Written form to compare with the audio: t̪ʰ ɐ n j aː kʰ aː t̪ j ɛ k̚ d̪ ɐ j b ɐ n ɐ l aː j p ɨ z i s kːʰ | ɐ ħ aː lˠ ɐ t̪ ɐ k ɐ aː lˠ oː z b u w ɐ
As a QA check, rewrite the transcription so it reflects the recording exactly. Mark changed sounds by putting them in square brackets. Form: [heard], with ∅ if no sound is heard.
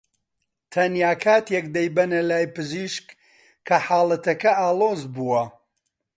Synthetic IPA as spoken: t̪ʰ ɐ n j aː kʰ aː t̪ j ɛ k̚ d̪ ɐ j b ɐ n ɐ l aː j p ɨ z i [ʃ] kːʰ | ɐ ħ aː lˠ ɐ t̪ ɐ k ɐ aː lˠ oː z b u w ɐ